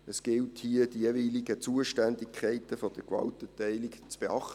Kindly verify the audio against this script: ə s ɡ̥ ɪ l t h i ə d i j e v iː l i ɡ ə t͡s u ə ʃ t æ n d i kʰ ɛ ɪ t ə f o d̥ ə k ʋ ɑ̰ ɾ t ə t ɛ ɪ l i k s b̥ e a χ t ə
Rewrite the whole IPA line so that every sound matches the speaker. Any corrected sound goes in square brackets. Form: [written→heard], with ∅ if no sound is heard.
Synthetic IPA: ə s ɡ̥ ɪ l t h i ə d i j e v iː l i ɡ ə t͡s u ə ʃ t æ n d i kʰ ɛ ɪ t ə f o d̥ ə k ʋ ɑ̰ [ɾ→l] t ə t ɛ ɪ l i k [s→t͡s] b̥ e [a→ɑ] χ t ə